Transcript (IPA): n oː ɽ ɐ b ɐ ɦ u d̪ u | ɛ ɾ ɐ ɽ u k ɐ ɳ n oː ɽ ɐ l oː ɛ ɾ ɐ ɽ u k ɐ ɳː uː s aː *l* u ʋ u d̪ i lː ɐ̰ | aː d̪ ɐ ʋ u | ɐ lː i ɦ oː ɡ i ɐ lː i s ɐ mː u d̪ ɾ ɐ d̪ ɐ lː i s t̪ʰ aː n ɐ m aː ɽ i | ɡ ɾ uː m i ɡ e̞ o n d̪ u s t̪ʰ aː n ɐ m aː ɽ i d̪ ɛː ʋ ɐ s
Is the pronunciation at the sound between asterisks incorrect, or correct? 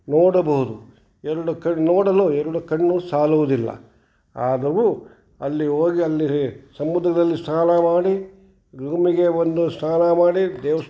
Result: correct